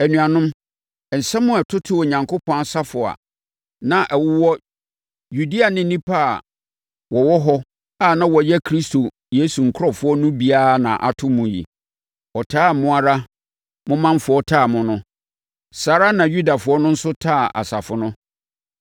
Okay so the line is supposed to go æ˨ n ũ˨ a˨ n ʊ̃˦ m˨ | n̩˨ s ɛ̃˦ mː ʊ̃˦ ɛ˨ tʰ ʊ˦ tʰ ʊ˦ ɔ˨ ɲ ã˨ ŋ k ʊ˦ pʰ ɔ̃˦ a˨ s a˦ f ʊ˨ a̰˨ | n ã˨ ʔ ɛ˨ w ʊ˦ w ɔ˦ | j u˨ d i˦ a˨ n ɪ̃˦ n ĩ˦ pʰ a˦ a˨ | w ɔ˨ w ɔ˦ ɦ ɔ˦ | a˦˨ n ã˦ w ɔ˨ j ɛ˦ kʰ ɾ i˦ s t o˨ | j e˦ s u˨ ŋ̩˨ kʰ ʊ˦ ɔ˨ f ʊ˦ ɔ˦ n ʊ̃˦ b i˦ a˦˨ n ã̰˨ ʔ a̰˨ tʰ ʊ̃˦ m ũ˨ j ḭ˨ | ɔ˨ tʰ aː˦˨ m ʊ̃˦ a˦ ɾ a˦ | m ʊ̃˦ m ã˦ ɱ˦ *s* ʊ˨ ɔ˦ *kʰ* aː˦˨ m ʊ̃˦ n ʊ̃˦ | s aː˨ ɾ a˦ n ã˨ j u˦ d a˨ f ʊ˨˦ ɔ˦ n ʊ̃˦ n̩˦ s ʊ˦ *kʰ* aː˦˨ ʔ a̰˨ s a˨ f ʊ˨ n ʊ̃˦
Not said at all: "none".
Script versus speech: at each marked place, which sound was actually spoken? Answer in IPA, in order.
f, tʰ, tʰ

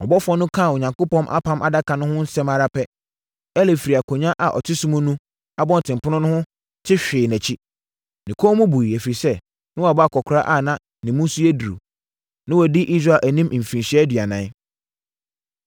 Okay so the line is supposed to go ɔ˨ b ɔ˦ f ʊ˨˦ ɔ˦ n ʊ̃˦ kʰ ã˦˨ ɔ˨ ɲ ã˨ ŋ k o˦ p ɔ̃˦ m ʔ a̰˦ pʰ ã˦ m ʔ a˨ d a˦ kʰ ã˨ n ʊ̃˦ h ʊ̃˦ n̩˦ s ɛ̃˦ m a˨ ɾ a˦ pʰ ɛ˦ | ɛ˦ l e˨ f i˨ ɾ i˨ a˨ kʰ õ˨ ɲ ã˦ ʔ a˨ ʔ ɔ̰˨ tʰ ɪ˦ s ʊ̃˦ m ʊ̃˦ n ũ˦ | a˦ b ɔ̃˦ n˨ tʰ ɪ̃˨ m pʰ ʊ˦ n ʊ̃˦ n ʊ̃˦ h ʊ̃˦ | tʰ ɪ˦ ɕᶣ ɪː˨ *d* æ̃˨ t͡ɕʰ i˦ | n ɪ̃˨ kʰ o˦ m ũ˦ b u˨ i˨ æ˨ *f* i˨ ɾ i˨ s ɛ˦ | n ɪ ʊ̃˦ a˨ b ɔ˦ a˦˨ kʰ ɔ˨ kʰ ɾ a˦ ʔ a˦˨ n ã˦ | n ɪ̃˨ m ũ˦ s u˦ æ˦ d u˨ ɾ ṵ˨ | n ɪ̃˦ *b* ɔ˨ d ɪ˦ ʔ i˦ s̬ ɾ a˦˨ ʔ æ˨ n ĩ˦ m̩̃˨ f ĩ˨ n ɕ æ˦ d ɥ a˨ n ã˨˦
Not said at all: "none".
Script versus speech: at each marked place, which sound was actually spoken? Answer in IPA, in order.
n, f, w

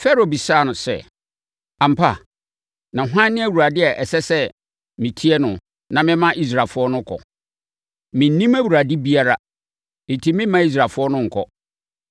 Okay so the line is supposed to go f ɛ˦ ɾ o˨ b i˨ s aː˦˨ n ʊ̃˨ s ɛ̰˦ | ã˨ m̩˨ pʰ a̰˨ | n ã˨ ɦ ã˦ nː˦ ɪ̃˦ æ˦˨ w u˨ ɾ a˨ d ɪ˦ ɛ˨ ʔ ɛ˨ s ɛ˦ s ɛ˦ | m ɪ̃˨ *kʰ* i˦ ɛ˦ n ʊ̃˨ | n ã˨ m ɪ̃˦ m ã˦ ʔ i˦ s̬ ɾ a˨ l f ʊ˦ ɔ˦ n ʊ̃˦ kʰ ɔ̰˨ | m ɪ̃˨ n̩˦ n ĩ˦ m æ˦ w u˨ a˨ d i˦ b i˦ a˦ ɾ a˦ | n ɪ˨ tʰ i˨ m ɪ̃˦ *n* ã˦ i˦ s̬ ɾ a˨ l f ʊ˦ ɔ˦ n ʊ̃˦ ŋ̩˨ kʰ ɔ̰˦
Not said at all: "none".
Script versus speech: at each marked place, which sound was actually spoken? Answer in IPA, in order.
tʰ, m

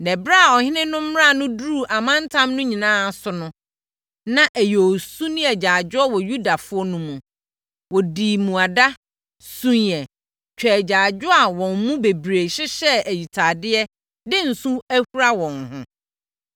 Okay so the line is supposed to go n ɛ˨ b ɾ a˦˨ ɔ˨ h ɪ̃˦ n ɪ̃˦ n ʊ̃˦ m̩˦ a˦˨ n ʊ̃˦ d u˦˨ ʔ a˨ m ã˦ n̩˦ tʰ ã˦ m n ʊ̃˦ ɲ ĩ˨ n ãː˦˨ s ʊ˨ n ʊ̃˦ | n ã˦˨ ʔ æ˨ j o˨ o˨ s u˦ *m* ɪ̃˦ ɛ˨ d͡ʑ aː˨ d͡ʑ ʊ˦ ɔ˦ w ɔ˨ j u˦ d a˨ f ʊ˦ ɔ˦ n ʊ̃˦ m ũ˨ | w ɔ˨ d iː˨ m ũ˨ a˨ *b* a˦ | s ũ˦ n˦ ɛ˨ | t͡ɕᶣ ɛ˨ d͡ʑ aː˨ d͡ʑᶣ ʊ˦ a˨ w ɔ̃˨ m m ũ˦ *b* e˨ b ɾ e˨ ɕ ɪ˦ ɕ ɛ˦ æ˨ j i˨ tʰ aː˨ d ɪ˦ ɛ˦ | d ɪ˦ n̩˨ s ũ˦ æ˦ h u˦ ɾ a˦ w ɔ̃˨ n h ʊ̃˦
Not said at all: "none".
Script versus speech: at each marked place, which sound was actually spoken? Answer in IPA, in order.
n, d, b

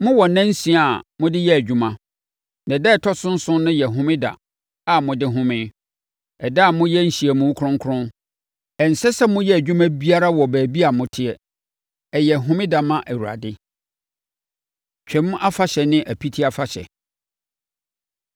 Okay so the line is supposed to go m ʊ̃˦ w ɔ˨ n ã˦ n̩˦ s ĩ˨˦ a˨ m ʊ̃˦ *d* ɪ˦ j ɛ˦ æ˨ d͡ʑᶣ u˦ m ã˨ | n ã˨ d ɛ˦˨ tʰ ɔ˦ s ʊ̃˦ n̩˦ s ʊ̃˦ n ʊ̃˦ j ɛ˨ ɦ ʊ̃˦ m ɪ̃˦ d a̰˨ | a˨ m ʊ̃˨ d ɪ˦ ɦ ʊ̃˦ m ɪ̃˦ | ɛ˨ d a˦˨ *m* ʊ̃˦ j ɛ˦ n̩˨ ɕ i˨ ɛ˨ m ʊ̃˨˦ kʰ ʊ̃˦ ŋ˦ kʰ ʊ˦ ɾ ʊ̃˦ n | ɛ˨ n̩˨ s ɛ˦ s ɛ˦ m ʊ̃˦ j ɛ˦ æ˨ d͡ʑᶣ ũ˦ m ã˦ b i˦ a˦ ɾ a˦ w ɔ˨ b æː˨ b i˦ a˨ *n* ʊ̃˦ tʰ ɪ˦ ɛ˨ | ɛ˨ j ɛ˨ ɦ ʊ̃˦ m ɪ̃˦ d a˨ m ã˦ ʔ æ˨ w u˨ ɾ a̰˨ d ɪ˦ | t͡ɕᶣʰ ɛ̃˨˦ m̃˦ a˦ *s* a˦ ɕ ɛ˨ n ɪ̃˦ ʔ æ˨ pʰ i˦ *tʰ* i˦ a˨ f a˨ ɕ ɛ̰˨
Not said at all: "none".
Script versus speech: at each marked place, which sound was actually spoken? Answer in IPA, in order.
d, m, m, f, tʰ

